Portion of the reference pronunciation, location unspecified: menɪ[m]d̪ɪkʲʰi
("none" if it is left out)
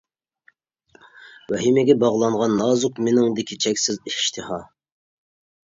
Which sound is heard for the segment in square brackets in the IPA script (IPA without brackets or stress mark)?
ŋ